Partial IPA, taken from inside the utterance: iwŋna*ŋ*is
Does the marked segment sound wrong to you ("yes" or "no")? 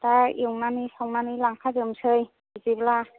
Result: yes